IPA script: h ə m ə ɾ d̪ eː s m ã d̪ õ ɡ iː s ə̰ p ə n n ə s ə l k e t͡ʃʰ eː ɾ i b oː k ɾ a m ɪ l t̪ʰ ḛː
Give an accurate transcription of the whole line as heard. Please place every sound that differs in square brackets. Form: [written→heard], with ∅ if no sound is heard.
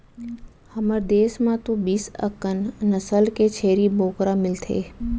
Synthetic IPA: h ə m ə ɾ d̪ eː s m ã [d̪→t̪] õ [ɡ→b] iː s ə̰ [p→k] ə n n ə s ə l k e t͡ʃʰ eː ɾ i b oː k ɾ a m ɪ l t̪ʰ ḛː

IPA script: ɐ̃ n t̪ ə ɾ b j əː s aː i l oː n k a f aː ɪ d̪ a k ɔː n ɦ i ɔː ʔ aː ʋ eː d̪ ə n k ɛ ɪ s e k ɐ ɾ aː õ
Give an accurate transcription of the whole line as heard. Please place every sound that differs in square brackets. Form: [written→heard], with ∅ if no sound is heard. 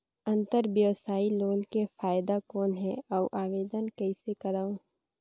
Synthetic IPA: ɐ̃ n t̪ ə ɾ b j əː s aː i l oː n k [a→e] f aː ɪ d̪ a k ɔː n ɦ [i→ɛ] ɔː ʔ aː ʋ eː d̪ ə n k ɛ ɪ s e k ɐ ɾ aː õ

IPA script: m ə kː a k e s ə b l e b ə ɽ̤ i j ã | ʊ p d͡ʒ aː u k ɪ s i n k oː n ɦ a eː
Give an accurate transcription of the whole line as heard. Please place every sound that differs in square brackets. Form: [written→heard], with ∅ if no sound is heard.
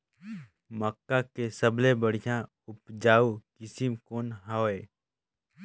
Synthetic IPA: m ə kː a k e s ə b l e b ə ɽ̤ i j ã | ʊ p d͡ʒ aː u k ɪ s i [n→m] k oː n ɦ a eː

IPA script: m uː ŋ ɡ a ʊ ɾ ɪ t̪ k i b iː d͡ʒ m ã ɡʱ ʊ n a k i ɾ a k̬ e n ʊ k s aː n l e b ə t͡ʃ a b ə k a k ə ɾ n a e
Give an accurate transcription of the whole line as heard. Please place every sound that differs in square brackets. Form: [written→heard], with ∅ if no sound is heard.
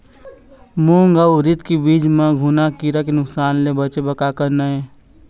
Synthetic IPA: m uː ŋ ɡ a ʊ ɾ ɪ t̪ k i b iː d͡ʒ m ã ɡʱ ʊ n a k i ɾ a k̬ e n ʊ k s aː n l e b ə t͡ʃ [a→e] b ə k a k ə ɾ n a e

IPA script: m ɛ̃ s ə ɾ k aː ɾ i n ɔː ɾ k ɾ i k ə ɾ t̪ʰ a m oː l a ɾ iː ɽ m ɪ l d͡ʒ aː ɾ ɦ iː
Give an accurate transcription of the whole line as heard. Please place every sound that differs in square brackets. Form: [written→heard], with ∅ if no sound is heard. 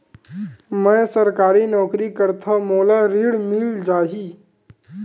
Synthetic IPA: m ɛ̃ s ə ɾ k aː ɾ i n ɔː [ɾ→∅] k ɾ i k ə ɾ t̪ʰ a m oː l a ɾ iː ɽ m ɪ l d͡ʒ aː [ɾ→∅] ɦ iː

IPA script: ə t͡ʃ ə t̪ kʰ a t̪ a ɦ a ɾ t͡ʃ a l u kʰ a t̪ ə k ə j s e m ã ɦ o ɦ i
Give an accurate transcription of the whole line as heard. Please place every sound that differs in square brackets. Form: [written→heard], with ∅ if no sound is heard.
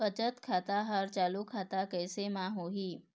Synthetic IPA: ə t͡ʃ ə t̪ kʰ a t̪ a ɦ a ɾ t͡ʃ a l u kʰ a t̪ [ə→a] k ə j s e m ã ɦ o ɦ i

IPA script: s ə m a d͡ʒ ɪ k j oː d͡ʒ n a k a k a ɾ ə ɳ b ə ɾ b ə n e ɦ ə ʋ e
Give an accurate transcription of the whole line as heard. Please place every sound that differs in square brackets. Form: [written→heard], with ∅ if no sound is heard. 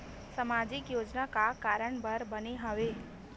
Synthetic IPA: s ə m a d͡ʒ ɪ k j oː d͡ʒ n a k a k a ɾ ə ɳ b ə ɾ b ə n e ɦ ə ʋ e

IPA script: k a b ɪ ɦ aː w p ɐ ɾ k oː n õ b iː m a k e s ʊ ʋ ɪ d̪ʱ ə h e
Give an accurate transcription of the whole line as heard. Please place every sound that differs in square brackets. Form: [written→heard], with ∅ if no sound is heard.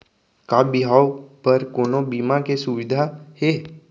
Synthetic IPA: k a b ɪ ɦ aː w p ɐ ɾ k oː n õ b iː m a k e s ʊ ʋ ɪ d̪ʱ [ə→a] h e

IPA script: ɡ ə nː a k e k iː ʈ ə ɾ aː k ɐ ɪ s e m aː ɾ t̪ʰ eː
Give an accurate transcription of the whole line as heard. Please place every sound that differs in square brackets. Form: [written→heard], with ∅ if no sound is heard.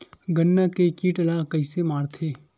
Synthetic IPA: ɡ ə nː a k e k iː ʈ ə [ɾ→l] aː k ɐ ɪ s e m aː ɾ t̪ʰ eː

